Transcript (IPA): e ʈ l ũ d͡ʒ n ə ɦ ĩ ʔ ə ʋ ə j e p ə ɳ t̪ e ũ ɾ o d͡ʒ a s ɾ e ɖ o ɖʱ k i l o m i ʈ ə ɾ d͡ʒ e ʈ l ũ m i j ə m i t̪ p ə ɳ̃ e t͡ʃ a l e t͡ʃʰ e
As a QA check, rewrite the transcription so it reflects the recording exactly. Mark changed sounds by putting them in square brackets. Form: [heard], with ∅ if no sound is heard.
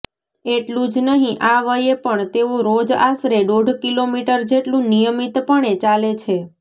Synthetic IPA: e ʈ l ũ d͡ʒ n ə ɦ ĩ ʔ [a] ʋ ə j e p ə ɳ t̪ e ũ ɾ o d͡ʒ a s ɾ e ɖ o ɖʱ k i l o m i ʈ ə ɾ d͡ʒ e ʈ l ũ [n] i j ə m i t̪ p ə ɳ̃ e t͡ʃ a l e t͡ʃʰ e

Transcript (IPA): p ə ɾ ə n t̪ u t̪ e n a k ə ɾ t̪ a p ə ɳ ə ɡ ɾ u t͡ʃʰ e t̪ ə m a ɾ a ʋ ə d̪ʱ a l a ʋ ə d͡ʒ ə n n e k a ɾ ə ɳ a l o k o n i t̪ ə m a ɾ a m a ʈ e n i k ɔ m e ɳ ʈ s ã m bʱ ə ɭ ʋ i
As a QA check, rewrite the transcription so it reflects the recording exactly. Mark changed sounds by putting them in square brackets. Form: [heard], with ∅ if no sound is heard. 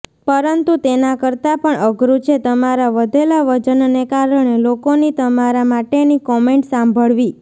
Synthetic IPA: p ə ɾ ə n t̪ u t̪ e n a k ə ɾ t̪ a p ə ɳ ə ɡ ɾ u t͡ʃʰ e t̪ ə m a ɾ a ʋ ə d̪ʱ [e] l a ʋ ə d͡ʒ ə n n e k a ɾ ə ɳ [e] l o k o n i t̪ ə m a ɾ a m a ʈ e n i k ɔ m e ɳ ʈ s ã m bʱ ə ɭ ʋ i

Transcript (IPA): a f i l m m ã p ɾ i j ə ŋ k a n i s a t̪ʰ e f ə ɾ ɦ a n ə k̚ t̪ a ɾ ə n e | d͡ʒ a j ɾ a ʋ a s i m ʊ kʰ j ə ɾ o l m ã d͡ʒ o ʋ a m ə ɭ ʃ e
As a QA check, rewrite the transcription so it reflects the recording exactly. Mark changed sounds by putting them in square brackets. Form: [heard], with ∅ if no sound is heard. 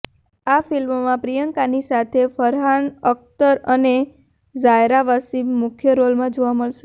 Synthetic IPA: a f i l m m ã p ɾ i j ə ŋ k a n i s a t̪ʰ e f ə ɾ ɦ a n ə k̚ t̪ [ə] ɾ ə n e | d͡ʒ a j ɾ a ʋ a s i m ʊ kʰ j ə ɾ o l m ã d͡ʒ o ʋ a m ə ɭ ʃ e

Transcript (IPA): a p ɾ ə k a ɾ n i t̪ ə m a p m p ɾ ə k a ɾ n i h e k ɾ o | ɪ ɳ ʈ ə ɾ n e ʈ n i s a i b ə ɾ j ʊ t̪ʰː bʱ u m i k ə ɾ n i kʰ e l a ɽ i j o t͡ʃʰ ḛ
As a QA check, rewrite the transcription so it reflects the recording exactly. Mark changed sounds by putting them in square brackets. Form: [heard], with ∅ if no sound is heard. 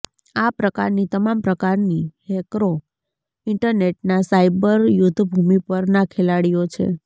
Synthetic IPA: a p ɾ ə k a ɾ n i t̪ ə m a [∅] m p ɾ ə k a ɾ n i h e k ɾ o | ɪ ɳ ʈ ə ɾ n e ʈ n [a] s a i b ə ɾ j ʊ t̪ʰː bʱ u m i [p] ə ɾ n [a] kʰ e l a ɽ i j o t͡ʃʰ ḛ

